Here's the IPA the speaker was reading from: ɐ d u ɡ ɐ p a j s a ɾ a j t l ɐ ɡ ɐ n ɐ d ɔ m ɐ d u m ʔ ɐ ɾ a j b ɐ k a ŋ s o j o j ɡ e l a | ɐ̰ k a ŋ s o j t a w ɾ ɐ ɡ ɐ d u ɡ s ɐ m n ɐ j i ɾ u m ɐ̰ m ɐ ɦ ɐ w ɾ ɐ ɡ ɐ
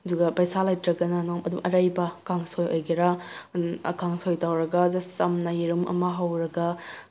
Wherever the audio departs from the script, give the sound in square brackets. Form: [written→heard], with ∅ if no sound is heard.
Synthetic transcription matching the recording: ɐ d u ɡ ɐ p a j s a [ɾ→l] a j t [l→ɾ] ɐ ɡ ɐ n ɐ [d→n] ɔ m ɐ d u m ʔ ɐ ɾ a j b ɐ k a ŋ s o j o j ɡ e [l→ɾ] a | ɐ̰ k a ŋ s o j t a w ɾ ɐ ɡ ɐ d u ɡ s ɐ m n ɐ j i ɾ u m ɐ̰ m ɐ ɦ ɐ w ɾ ɐ ɡ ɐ